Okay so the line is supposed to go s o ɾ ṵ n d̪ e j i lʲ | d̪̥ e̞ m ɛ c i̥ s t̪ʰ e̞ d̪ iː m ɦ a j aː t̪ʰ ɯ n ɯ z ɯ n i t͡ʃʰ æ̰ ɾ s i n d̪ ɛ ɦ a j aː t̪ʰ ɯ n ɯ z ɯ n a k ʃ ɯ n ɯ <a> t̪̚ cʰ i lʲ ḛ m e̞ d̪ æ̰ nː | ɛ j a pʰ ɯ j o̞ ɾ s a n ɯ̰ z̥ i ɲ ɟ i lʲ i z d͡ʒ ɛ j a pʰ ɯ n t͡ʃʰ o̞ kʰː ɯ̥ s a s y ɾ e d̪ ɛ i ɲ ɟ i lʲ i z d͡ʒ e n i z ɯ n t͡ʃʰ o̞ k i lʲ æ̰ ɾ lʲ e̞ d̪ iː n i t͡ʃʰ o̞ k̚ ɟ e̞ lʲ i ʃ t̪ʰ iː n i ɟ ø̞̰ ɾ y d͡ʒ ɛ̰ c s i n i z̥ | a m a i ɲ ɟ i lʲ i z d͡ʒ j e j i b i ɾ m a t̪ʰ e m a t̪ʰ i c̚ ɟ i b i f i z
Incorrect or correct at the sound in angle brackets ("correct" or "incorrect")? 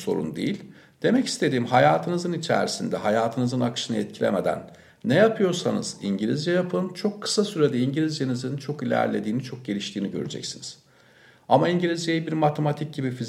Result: incorrect